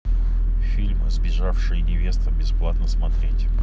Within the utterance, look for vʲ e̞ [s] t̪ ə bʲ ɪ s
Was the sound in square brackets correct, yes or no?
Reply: yes